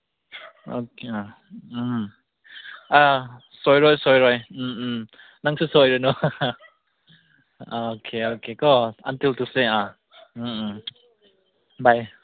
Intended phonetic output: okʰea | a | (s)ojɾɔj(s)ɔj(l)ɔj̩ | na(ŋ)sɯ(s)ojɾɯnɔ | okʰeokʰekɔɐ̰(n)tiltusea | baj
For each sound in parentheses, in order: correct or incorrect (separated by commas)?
correct, correct, incorrect, correct, correct, correct